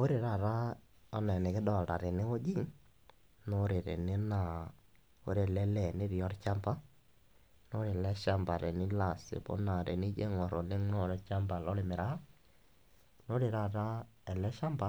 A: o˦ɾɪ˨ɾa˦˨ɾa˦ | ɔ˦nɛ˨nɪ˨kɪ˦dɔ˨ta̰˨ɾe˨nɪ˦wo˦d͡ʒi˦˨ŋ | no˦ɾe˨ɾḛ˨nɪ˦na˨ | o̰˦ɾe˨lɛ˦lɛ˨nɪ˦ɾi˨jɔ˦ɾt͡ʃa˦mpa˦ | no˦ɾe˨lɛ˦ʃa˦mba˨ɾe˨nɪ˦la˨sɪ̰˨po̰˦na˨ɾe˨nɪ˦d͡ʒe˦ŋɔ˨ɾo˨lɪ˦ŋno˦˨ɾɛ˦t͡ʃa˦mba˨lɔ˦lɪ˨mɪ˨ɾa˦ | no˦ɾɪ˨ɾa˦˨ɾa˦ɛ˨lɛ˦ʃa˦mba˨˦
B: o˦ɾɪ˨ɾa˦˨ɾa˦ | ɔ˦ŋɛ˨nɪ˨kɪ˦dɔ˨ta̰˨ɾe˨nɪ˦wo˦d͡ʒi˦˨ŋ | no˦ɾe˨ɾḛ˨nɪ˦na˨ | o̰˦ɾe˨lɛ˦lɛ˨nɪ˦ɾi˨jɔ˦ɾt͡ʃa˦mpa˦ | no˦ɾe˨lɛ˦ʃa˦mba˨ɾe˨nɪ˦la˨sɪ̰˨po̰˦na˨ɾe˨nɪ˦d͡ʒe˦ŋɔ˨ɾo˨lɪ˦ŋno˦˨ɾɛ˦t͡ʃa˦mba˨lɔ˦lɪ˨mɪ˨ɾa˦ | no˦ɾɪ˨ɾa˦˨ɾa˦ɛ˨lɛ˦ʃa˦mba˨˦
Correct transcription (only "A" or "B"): A